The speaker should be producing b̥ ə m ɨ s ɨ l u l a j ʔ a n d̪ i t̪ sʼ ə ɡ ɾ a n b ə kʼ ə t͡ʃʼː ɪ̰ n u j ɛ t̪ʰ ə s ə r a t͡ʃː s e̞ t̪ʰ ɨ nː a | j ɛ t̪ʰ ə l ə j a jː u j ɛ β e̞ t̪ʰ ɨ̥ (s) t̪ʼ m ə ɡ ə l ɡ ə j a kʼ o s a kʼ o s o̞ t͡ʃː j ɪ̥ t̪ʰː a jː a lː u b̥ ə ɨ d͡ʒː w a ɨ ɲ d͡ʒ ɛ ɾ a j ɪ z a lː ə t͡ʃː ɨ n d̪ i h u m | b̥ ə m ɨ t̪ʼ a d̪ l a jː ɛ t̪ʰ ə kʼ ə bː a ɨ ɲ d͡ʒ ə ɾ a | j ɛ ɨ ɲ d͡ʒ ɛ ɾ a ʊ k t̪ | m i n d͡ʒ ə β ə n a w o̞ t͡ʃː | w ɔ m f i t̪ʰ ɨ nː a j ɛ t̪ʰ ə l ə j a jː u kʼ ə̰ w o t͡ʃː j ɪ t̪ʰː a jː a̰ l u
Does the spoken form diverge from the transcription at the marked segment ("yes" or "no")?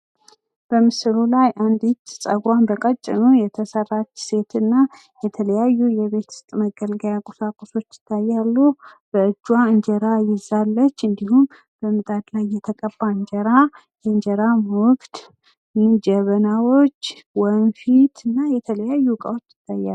no